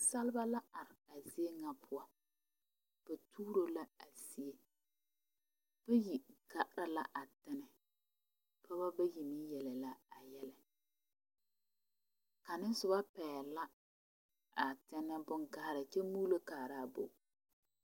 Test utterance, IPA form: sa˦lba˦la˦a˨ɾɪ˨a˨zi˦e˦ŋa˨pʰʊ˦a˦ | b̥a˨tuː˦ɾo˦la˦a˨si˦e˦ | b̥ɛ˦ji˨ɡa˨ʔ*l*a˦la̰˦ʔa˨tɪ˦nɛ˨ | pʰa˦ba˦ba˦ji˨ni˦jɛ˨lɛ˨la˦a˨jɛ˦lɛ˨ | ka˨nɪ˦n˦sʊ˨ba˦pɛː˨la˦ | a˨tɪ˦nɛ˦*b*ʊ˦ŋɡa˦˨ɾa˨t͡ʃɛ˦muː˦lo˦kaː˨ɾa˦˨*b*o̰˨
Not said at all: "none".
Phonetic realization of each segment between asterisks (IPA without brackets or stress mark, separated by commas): ɾ, b, b